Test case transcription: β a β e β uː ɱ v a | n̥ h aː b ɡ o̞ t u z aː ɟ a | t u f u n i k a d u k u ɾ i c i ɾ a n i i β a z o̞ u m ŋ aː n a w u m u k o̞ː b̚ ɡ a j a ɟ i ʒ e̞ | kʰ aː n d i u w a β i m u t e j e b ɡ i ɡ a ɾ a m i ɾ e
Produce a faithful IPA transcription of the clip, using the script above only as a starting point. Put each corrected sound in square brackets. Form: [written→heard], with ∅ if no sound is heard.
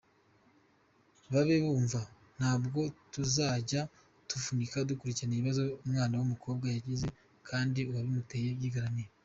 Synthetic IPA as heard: β a β e β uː ɱ v a | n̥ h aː b ɡ o̞ t u z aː ɟ a | t u f u n i k a d u k u ɾ i c i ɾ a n i i β a z o̞ u m ŋ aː n a w u m u k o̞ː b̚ ɡ a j a ɟ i [ʒ→z] e̞ | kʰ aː n d i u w a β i m u t e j e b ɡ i ɡ a ɾ a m i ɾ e

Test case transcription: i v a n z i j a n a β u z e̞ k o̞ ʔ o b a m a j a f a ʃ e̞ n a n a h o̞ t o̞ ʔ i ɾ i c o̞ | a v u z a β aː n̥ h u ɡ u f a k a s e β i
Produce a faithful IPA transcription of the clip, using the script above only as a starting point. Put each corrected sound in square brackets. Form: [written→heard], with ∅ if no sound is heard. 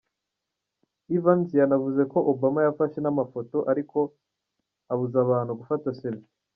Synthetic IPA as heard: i v a n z i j a n a [β→v] u z e̞ k o̞ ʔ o b a m a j a f a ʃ e̞ n a [n→m] a [h→f] o̞ t o̞ ʔ [i→a] ɾ i [c→k] o̞ | a [v→β] u z a β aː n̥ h u ɡ u f a [k→t] a s e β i

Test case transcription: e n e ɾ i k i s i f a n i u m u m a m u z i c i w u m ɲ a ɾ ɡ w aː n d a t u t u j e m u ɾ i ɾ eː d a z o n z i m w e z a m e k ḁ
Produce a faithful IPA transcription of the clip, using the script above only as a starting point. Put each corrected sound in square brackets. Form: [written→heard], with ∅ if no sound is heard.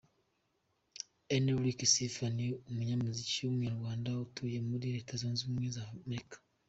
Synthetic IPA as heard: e n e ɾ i k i s i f a n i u m u [m→ɲ] a m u z i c i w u m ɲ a ɾ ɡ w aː n d a [t→∅] u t u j e m u ɾ i ɾ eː [d→t] a z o n z i m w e z a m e k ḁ

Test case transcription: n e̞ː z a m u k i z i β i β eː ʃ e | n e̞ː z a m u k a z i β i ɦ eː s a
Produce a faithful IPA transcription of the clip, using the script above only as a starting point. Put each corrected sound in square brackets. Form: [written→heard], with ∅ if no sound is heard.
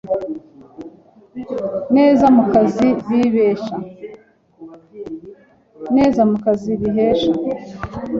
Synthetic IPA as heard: n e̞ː z a m u k [i→a] z i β i β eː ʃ [e→a] | n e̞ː z a m u k a z i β i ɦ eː [s→ʃ] a

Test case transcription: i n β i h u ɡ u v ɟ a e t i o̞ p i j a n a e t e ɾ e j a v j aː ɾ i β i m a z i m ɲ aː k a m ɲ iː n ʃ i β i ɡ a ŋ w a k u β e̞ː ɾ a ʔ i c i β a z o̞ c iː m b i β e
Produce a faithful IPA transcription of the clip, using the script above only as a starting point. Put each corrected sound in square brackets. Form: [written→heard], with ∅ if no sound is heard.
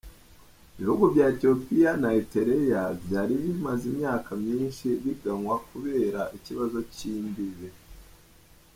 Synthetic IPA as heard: i [n→∅] β i h u ɡ u v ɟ a e t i o̞ p i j a n a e t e ɾ e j a v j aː ɾ i β i m a z i m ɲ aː k a m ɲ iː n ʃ i β i ɡ a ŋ w a k u β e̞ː ɾ a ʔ i c i β a z o̞ c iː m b i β e

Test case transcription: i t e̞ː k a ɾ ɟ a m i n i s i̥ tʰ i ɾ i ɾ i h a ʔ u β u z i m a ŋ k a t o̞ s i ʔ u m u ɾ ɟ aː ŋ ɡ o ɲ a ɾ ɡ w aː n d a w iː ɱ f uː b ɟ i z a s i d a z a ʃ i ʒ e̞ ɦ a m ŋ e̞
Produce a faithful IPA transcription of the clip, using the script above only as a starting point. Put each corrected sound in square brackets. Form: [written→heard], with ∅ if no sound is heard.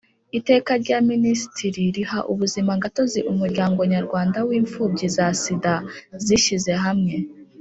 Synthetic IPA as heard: i t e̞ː k a ɾ ɟ a m i n i s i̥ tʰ i ɾ i ɾ i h a ʔ u β u z i m a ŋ [k→ɡ] a t o̞ [s→z] i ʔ u m u ɾ ɟ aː ŋ ɡ o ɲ a ɾ ɡ w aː n d a w iː ɱ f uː b ɟ i z a s i d a z [a→i] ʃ i [ʒ→z] e̞ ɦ a m ŋ e̞

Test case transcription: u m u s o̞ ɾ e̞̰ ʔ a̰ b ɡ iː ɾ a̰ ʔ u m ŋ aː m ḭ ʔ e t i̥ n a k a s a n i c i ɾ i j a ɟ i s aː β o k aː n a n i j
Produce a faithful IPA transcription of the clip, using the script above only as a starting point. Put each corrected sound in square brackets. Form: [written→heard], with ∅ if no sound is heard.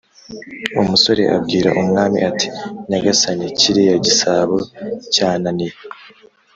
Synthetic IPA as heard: u m u s o̞ ɾ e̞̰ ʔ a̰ b ɡ iː ɾ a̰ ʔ u m ŋ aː m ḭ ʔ [e→a] t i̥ n a [k→ɡ] a s a n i c i ɾ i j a ɟ i s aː β o [k→c] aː n a n i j

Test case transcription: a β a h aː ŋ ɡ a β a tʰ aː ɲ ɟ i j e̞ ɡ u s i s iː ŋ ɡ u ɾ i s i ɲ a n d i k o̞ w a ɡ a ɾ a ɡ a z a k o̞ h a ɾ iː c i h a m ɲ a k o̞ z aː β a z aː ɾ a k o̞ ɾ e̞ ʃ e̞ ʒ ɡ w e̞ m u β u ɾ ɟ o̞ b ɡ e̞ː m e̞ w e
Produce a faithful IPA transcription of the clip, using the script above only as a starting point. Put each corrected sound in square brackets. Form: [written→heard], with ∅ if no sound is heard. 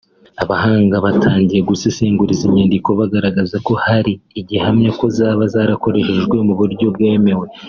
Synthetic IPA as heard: a β a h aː ŋ ɡ a β a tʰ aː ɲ ɟ i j e̞ ɡ u s i s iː ŋ ɡ u ɾ i [s→z] i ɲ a n d i k o̞ [w→β] a ɡ a ɾ a ɡ a z a k o̞ h a ɾ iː [c→ɟ] i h a m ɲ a k o̞ z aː β a z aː ɾ a k o̞ ɾ e̞ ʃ e̞ ʒ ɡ w e̞ m u β u ɾ ɟ o̞ b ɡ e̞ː m e̞ w e

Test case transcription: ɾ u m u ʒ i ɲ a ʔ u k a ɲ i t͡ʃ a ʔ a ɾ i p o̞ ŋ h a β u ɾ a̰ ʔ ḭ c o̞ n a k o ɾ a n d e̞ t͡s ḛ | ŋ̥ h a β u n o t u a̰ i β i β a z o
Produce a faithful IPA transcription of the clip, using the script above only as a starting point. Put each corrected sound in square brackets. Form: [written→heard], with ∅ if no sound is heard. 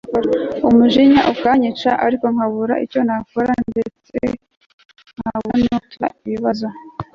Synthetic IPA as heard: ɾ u m u ʒ i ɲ a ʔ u k a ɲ i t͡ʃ a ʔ a ɾ i [p→k] o̞ ŋ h a β u ɾ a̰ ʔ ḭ c o̞ n a k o ɾ a n d e̞ t͡s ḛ | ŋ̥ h a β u n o t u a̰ i β i β a z o

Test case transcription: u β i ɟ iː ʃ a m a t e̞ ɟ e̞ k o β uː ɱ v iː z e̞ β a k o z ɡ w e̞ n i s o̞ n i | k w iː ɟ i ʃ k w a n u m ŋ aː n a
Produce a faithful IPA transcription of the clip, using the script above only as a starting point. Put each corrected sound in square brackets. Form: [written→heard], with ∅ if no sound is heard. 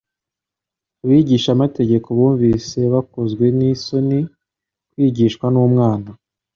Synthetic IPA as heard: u β i ɟ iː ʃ a m a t e̞ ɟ e̞ k o β uː ɱ v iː [z→s] e̞ β a k o z ɡ w e̞ n i s o̞ n i | k w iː ɟ i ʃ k w a n u m ŋ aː n a

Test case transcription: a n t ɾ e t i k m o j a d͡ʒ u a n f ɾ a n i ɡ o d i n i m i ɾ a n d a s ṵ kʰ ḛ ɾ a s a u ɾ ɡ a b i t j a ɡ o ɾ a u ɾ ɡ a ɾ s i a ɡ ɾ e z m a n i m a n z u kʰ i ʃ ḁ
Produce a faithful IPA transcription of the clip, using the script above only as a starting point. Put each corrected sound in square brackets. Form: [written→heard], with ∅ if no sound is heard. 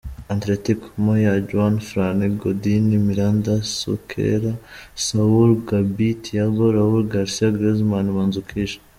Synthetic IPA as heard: a n t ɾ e t i k m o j a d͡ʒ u a n f ɾ a n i ɡ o d i n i m i ɾ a n d a s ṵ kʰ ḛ ɾ a s a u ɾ ɡ a b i t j a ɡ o ɾ a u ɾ ɡ a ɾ s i a ɡ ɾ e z m a n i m a n z u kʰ i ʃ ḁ

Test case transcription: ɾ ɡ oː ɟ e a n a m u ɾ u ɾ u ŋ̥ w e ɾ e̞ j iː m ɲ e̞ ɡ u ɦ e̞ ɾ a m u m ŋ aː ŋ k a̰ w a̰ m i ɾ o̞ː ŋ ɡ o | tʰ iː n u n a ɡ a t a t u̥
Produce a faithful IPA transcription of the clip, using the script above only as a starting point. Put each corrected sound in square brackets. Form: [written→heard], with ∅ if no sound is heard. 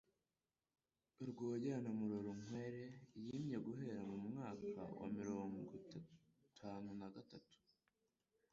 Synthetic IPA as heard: ɾ ɡ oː ɟ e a n a m u ɾ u ɾ u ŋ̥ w e ɾ e̞ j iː m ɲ e̞ ɡ u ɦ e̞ ɾ a m u m ŋ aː [ŋ→∅] k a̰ w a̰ m i ɾ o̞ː ŋ ɡ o | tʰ [iː→aː] n u n a ɡ a t a t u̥

